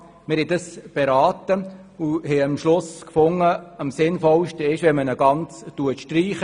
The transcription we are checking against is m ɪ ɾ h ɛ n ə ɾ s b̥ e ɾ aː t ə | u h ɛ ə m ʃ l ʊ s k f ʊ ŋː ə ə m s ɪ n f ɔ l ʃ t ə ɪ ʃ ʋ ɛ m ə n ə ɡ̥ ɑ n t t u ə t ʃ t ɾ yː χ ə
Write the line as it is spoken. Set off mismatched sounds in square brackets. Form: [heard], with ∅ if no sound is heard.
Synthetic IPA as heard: m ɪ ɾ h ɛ [d] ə [∅] s b̥ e ɾ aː t ə | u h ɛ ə m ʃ l ʊ s k f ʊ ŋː ə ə m s ɪ n f ɔ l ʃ t ə ɪ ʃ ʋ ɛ m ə n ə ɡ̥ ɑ n [t͡s] t u ə t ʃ t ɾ [iː] χ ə